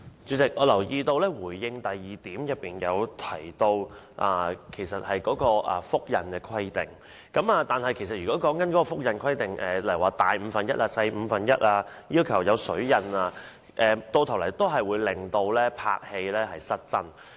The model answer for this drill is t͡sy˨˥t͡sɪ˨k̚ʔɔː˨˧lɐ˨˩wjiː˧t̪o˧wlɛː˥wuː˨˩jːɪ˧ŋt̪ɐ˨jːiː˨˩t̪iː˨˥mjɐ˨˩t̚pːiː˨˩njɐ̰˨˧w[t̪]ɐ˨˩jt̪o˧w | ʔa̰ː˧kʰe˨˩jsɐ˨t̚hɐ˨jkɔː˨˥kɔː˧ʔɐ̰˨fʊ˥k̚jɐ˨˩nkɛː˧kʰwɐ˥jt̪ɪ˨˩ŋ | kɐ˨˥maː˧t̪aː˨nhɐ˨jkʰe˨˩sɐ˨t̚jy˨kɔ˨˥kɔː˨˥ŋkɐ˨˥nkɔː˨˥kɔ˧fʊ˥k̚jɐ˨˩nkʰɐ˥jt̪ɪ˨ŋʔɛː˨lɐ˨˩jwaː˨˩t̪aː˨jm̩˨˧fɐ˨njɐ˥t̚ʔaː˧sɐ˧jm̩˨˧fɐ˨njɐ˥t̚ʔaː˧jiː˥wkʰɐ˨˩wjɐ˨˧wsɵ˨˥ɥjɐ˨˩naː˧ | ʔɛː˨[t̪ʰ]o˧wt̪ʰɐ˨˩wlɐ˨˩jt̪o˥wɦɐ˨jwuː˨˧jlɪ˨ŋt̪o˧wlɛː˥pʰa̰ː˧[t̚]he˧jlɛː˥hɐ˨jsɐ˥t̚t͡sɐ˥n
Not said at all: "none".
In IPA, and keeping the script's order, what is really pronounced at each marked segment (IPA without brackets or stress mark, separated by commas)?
t̪ʰ, t̪, k̚